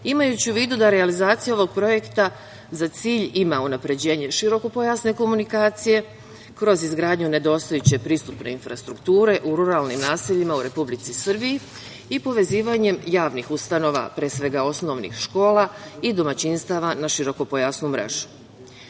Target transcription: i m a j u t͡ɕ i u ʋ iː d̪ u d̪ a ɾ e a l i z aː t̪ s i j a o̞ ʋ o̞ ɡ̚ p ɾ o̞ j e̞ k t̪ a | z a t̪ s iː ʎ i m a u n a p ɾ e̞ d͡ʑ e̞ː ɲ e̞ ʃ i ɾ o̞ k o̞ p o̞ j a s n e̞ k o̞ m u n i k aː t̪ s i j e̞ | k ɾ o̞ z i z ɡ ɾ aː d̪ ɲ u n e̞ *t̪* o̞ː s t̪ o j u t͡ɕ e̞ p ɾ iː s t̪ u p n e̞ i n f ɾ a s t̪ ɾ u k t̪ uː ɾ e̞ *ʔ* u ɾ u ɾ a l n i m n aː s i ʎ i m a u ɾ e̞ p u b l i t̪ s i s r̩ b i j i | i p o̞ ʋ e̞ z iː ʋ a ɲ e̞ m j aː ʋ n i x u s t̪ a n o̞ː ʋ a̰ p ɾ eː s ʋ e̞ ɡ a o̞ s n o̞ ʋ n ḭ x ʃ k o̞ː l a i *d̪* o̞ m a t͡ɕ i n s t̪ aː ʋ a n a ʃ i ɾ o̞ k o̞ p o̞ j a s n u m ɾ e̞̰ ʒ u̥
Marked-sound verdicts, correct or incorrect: incorrect: d̪, correct, correct

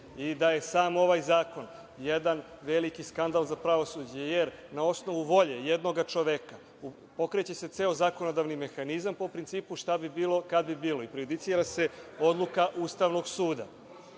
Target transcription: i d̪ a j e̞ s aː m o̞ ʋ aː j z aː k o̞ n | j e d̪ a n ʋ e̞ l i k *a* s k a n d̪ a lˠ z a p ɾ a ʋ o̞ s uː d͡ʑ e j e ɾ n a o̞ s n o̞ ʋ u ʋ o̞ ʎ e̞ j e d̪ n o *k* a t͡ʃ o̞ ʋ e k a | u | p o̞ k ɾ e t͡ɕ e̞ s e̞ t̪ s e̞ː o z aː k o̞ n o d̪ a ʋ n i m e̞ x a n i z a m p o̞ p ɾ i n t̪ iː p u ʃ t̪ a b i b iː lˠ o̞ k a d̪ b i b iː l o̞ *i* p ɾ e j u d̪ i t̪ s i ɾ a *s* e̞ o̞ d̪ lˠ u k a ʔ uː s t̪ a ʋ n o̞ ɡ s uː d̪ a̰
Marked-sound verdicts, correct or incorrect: incorrect: i, incorrect: ɡ, correct, correct

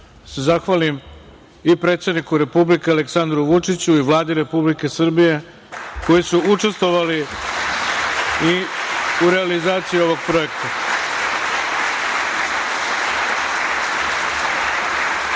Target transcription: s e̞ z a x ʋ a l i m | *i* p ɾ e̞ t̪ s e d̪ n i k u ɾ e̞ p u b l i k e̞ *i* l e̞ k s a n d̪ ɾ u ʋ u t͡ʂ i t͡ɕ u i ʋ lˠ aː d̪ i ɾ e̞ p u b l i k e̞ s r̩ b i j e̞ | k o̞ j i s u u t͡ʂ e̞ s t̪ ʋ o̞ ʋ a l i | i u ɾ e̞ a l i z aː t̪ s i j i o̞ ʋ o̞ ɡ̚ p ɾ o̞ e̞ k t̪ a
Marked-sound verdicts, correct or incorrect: correct, incorrect: a

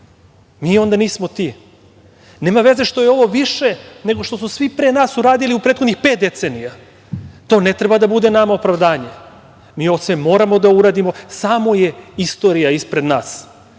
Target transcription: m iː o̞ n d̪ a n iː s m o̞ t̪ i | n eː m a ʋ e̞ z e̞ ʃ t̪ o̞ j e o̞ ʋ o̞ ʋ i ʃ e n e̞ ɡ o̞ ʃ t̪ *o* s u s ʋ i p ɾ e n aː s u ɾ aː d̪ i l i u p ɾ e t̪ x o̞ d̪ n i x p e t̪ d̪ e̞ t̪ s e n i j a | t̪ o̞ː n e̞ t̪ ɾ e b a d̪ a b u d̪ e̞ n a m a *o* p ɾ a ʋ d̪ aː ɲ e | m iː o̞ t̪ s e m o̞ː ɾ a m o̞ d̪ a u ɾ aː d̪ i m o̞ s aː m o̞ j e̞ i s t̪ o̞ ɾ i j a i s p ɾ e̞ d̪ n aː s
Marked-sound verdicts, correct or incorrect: correct, correct

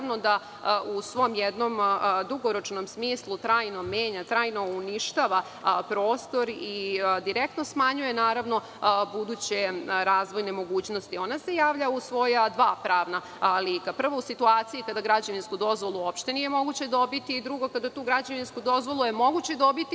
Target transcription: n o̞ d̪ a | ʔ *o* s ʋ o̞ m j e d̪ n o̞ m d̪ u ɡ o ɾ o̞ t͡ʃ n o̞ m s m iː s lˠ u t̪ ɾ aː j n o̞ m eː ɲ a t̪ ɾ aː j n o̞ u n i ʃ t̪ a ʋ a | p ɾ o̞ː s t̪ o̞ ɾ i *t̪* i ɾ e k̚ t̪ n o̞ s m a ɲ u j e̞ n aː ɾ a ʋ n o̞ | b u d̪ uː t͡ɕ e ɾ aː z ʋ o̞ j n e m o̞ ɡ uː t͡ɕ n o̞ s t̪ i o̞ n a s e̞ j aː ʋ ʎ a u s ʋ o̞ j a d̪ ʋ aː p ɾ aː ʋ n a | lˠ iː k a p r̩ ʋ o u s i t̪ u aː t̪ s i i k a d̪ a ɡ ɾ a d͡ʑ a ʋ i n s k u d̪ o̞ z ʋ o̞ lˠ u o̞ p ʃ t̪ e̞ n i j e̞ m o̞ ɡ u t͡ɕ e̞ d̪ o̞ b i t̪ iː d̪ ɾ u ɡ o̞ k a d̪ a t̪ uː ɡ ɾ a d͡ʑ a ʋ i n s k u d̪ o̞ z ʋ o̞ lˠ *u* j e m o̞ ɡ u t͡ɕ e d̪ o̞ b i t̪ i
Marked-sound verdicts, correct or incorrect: incorrect: u, incorrect: d̪, correct

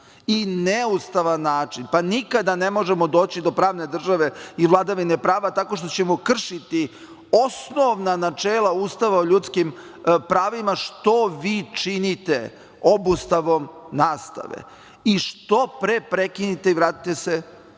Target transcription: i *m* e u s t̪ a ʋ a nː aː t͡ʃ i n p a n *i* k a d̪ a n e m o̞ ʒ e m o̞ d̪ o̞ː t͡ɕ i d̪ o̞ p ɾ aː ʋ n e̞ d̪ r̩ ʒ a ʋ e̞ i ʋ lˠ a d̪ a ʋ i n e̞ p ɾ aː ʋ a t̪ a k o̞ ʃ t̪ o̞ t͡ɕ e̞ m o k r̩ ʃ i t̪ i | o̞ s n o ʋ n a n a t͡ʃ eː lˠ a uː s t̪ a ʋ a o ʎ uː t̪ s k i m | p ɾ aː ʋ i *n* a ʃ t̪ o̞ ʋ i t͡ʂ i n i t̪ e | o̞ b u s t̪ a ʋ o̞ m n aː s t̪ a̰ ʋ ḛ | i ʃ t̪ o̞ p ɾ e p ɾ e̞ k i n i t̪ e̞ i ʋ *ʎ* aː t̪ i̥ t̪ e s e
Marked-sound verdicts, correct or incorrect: incorrect: n, correct, incorrect: m, incorrect: ɾ

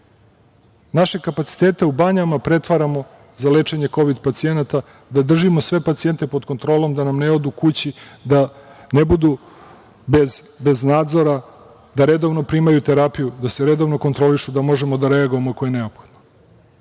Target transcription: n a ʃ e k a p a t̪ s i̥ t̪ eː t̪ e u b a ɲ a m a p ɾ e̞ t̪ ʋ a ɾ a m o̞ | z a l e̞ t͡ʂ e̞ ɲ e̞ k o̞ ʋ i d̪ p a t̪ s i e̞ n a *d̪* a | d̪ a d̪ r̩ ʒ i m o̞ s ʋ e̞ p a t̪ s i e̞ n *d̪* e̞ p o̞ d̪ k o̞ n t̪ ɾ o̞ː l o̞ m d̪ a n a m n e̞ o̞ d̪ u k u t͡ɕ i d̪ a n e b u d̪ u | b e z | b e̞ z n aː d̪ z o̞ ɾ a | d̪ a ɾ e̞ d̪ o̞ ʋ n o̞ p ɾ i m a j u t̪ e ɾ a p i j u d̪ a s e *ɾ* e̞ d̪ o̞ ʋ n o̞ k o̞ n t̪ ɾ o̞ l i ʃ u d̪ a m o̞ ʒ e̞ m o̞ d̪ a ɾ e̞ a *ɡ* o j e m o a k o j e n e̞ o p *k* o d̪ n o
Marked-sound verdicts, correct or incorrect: incorrect: t̪, incorrect: t̪, correct, correct, incorrect: x

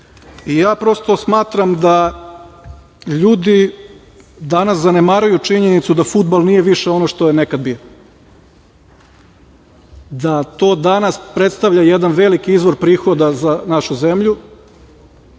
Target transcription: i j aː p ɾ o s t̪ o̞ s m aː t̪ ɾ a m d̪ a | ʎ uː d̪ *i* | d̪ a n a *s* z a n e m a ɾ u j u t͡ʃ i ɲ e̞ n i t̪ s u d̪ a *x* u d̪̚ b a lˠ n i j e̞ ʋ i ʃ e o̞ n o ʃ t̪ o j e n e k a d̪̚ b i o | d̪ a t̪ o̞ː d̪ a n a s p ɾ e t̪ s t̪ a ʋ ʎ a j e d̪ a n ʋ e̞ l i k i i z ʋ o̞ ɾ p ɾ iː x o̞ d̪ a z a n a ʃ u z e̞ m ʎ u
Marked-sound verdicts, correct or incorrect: correct, correct, incorrect: f

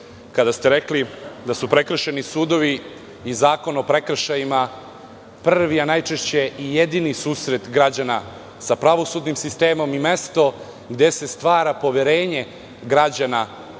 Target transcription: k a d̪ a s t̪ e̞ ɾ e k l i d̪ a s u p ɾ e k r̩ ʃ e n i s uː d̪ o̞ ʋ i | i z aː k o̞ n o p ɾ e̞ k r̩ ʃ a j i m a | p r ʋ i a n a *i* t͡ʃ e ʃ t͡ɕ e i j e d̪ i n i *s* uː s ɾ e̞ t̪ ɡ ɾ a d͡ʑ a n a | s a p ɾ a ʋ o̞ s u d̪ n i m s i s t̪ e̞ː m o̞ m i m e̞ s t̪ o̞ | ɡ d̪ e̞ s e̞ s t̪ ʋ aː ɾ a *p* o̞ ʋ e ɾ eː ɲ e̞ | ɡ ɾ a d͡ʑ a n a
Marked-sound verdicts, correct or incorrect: incorrect: j, correct, correct

